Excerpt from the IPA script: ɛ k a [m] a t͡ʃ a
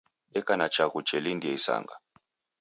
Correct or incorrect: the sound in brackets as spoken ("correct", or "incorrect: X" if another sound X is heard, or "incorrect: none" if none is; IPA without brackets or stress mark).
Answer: incorrect: n